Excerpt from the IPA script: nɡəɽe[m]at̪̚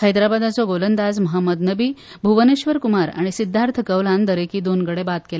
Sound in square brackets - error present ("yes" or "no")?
yes